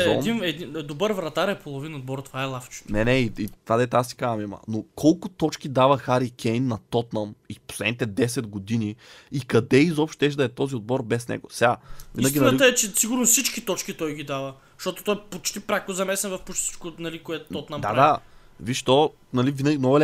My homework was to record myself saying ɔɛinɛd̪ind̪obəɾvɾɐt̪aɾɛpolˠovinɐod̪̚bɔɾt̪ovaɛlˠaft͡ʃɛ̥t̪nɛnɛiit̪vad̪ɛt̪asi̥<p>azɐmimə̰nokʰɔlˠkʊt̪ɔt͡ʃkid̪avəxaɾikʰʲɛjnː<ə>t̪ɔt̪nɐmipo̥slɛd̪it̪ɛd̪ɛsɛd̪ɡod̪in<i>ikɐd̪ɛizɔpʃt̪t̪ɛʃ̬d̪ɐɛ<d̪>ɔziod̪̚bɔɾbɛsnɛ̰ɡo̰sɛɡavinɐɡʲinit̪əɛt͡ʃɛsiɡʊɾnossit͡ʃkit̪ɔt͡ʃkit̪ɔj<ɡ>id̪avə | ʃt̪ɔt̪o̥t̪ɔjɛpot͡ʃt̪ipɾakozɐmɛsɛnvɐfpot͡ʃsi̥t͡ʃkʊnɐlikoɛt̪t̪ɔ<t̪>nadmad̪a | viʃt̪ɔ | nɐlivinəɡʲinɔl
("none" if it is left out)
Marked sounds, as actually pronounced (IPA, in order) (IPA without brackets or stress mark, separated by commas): k, ɐ, i, t̪, ɡ, t̪